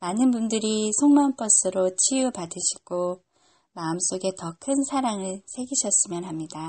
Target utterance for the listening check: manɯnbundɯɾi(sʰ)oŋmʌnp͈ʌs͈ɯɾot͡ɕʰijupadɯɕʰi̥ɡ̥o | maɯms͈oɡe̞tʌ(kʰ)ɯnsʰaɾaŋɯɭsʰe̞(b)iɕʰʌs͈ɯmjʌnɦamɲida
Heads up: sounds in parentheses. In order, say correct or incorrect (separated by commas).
correct, correct, incorrect